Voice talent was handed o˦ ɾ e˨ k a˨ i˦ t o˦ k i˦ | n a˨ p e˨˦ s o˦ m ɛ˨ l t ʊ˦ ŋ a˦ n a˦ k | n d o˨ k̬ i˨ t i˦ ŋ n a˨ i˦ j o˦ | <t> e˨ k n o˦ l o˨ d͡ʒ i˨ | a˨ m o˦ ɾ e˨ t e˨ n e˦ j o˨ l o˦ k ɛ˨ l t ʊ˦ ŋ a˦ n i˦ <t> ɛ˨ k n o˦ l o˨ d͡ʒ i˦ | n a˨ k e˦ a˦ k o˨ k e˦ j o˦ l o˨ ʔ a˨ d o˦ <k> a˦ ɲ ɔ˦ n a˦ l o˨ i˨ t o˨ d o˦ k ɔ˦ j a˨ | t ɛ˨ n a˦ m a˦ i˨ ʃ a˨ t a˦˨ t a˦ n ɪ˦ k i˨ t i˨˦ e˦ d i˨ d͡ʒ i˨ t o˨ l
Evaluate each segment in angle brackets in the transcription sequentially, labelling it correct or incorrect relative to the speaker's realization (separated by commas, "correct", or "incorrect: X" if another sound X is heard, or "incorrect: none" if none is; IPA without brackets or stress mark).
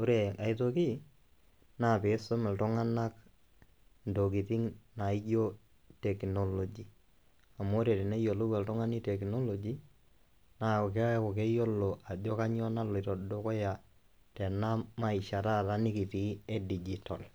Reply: correct, correct, correct